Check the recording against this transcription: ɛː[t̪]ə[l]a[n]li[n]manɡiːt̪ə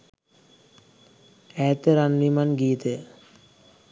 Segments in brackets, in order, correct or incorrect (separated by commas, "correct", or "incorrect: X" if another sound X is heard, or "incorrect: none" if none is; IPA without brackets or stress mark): correct, incorrect: ɾ, correct, incorrect: none